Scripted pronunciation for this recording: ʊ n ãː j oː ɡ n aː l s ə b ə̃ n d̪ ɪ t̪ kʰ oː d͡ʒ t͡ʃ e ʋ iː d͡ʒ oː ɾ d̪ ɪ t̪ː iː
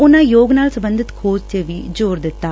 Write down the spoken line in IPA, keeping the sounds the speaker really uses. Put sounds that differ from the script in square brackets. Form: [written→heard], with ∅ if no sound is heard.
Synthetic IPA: ʊ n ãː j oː ɡ n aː l s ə b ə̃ n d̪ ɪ t̪ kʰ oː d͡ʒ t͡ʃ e ʋ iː d͡ʒ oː ɾ d̪ ɪ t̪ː [iː→aː]